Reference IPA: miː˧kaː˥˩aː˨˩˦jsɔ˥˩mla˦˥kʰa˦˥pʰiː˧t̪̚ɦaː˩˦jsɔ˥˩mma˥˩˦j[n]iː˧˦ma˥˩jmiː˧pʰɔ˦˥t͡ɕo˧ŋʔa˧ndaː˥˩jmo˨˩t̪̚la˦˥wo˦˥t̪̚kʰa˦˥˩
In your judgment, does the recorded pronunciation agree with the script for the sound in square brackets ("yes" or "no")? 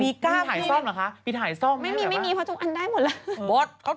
no